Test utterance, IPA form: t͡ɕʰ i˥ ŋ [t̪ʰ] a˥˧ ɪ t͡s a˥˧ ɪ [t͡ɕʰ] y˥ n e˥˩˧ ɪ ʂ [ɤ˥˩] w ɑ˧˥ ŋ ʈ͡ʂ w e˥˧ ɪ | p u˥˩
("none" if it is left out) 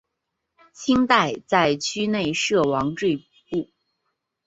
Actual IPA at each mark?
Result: t̪, t͡ɕʰ, ɤ˥˩

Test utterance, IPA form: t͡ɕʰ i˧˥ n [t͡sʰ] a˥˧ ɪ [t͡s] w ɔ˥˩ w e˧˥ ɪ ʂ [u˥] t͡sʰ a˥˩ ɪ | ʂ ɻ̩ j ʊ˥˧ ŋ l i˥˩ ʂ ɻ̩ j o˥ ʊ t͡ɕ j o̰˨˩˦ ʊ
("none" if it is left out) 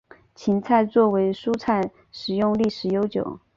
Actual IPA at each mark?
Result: t͡sʰ, t͡s, u˥

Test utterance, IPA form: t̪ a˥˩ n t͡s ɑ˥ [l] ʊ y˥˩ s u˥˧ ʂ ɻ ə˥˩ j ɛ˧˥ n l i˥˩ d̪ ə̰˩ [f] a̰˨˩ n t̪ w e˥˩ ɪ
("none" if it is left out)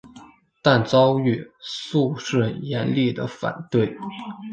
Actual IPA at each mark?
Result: none, f

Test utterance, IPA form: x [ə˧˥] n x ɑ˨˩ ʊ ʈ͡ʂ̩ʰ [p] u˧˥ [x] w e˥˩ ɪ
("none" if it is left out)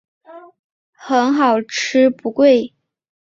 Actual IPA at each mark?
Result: ə˧˥, p, k

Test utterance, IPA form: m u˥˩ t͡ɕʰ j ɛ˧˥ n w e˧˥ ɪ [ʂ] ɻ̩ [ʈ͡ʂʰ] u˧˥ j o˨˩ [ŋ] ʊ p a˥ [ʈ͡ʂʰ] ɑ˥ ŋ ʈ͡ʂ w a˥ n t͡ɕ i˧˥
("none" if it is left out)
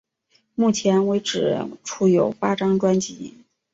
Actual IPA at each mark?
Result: ʈ͡ʂ, ʈ͡ʂʰ, none, ʈ͡ʂ

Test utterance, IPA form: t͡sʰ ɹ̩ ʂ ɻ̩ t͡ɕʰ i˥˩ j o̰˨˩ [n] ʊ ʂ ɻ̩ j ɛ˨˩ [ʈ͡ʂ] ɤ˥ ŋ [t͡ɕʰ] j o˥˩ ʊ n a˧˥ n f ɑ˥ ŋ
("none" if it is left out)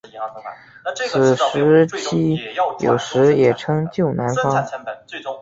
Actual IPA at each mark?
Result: none, ʈ͡ʂʰ, t͡ɕ

